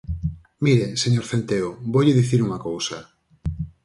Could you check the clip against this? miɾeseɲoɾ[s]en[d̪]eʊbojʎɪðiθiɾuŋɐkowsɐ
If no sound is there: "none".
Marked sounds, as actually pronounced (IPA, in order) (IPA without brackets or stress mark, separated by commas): θ, t̪